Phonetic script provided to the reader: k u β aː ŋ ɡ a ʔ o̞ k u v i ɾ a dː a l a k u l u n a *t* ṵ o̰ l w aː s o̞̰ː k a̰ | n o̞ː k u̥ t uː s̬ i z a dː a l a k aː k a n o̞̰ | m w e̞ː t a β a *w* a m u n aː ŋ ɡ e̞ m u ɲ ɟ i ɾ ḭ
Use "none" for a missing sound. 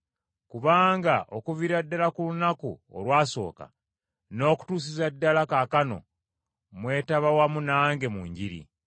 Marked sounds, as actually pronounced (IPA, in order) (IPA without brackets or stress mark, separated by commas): k, w